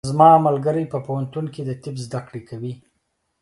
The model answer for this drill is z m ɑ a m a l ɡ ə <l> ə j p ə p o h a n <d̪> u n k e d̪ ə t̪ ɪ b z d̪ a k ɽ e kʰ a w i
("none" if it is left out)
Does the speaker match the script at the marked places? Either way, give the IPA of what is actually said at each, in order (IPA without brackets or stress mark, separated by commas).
ɾ, t̪